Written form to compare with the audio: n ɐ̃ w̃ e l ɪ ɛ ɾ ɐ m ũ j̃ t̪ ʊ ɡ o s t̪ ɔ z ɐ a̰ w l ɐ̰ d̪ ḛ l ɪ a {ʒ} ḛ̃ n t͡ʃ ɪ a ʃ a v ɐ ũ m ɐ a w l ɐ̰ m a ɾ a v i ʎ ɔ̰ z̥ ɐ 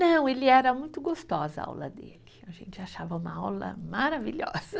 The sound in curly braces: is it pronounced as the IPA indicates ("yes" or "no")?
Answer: yes